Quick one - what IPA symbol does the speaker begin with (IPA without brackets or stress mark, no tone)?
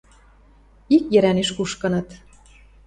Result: i